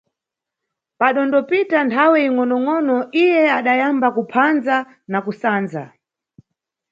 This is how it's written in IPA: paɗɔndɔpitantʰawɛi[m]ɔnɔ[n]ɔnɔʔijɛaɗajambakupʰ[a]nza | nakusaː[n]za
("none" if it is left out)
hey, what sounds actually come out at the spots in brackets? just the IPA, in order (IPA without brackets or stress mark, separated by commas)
ŋ, ŋ, a, n